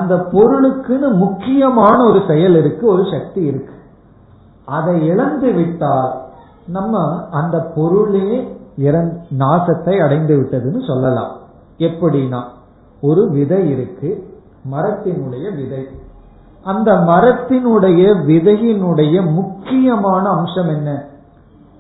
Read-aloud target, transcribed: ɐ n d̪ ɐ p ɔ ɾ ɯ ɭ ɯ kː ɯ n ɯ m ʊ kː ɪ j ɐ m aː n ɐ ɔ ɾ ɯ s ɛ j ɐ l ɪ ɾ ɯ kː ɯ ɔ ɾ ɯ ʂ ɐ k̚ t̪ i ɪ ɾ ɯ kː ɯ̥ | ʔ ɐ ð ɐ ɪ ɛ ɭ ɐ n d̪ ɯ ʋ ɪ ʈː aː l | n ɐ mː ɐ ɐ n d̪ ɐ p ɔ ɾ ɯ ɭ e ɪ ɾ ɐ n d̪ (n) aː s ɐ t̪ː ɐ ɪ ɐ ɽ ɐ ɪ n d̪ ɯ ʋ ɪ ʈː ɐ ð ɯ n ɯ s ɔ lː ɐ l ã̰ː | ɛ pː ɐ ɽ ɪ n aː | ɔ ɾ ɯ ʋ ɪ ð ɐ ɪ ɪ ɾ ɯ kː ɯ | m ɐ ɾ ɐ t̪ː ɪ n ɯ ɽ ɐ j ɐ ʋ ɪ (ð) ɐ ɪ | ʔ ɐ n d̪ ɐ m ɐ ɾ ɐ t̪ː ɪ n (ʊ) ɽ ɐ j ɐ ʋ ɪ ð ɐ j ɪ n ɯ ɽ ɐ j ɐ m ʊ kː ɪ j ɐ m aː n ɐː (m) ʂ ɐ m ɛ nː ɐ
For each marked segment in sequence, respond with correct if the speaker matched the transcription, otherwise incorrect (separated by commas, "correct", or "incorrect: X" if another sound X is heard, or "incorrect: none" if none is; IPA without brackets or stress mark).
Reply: correct, correct, incorrect: ɯ, correct